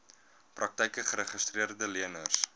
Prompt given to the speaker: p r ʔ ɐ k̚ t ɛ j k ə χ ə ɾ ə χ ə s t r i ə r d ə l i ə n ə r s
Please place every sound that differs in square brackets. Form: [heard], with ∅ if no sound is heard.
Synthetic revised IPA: p r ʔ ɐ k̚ t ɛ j k ə χ ə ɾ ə χ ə s t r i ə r d ə l i ə n ə r s